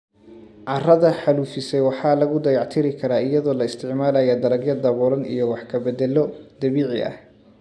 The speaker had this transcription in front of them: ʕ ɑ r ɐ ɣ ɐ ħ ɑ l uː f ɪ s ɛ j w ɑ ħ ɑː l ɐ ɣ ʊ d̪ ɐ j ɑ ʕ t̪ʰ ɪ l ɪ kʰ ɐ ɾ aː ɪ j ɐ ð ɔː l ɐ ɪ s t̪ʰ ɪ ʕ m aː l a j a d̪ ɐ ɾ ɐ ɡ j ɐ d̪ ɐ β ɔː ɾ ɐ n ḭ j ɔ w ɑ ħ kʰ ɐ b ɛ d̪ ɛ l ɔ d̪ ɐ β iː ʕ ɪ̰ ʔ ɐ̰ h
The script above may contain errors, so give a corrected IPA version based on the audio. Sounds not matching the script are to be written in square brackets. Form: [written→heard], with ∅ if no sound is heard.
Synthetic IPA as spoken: ʕ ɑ r ɐ [ɣ→ð] ɐ ħ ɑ l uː f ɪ s ɛ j w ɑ ħ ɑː l ɐ ɣ ʊ d̪ ɐ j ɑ ʕ t̪ʰ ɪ [l→ɾ] ɪ kʰ ɐ ɾ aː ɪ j ɐ ð ɔː l ɐ ɪ s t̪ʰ ɪ ʕ m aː l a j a d̪ ɐ ɾ ɐ ɡ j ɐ d̪ ɐ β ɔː ɾ ɐ n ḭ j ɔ w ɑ ħ kʰ ɐ b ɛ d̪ ɛ l ɔ d̪ ɐ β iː ʕ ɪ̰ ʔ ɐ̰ h